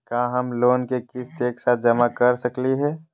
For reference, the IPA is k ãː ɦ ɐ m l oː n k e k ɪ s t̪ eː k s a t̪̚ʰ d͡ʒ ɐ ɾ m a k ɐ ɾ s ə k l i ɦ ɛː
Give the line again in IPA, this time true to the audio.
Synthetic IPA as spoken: k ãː ɦ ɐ m l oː n k e k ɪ s t̪ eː k s a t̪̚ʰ d͡ʒ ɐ m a k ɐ ɾ s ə k l i ɦ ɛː